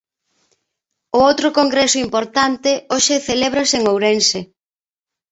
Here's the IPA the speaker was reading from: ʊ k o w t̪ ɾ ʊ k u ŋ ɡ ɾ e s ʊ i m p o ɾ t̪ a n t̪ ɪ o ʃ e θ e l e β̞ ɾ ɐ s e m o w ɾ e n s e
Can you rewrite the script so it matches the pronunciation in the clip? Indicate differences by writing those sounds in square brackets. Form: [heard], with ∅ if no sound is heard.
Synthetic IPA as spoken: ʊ [∅] o w t̪ ɾ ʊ k [o] ŋ ɡ ɾ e s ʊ i m p o ɾ t̪ a n t̪ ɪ o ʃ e θ e l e β̞ ɾ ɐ s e [ŋ] o w ɾ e n s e